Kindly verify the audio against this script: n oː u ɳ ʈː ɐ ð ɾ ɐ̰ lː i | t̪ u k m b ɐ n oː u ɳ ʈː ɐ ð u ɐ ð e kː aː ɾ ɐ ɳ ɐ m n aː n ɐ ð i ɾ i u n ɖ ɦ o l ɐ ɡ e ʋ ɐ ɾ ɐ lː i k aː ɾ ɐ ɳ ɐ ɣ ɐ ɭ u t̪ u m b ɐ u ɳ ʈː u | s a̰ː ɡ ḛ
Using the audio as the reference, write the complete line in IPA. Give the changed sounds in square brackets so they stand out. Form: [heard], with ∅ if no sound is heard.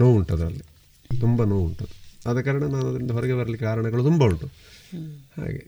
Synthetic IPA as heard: n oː u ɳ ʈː ɐ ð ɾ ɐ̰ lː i | t̪ u [∅] m b ɐ n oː u ɳ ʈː ɐ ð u ɐ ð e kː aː ɾ ɐ ɳ ɐ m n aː n ɐ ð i ɾ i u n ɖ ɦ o [ɾ] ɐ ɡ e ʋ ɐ ɾ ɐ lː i k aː ɾ ɐ ɳ ɐ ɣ ɐ ɭ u t̪ u m b ɐ u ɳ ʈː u | [h] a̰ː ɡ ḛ